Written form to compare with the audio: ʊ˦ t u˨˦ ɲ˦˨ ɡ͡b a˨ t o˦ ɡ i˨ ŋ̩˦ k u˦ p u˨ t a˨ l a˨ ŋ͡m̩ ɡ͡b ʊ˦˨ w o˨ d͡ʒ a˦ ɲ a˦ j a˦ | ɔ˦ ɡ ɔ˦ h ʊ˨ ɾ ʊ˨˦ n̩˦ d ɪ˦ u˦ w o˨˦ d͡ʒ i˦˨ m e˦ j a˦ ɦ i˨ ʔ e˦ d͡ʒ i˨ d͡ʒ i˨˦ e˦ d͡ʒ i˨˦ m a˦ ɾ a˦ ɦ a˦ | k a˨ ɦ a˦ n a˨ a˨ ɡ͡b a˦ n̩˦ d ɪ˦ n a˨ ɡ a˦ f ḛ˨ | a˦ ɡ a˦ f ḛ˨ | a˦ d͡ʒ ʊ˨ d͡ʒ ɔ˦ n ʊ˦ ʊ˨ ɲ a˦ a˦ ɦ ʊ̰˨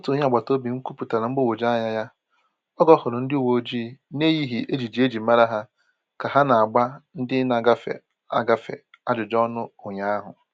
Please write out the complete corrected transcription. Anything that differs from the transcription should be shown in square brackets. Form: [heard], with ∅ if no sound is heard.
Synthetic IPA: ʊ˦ t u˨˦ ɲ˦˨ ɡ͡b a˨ t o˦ [b] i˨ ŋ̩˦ k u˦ p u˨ t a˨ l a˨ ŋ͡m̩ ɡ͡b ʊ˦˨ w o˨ d͡ʒ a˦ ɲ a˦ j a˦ | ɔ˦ ɡ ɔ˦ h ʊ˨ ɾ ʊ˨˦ n̩˦ d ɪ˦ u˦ w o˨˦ d͡ʒ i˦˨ [n] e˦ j [i˦] ɦ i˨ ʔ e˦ d͡ʒ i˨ d͡ʒ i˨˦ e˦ d͡ʒ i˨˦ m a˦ ɾ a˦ ɦ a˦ | k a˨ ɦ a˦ n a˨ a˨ ɡ͡b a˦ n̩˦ d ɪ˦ n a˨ ɡ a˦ f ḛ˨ | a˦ ɡ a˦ f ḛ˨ | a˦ d͡ʒ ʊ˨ d͡ʒ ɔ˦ n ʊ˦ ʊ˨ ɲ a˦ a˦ ɦ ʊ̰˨